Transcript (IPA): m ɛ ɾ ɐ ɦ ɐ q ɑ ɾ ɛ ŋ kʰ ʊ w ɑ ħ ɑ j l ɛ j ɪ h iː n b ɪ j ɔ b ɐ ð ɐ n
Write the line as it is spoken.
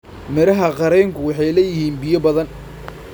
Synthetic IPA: m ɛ ɾ ɐ ɦ ɐ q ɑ ɾ ɛ ŋ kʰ ʊ w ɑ ħ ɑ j l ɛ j ɪ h iː n b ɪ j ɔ b ɐ ð ɐ n